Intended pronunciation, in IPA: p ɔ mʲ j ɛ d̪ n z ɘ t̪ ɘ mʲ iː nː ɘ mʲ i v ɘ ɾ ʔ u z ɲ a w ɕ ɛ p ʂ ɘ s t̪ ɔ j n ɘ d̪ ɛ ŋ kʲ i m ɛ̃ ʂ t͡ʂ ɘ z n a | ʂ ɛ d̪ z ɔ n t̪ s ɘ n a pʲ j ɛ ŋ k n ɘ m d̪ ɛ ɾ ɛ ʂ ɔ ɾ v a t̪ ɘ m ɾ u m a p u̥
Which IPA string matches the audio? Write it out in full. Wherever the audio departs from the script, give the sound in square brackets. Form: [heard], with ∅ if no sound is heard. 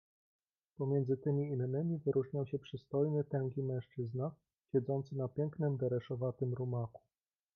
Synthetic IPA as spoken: p ɔ mʲ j ɛ [∅] n z ɘ t̪ ɘ mʲ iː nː ɘ mʲ i v ɘ ɾ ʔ u [ʐ] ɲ a w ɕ ɛ p ʂ ɘ s t̪ ɔ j n ɘ [t̪] ɛ ŋ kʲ i m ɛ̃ ʂ t͡ʂ ɘ z n a | [ɕ] ɛ d̪ z ɔ n t̪ s ɘ n a pʲ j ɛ ŋ k n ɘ m d̪ ɛ ɾ ɛ ʂ ɔ [∅] v a t̪ ɘ m ɾ u m a [k] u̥